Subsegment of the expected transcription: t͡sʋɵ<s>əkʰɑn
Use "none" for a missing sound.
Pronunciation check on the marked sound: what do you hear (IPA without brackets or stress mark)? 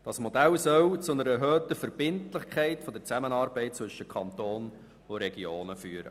ʃ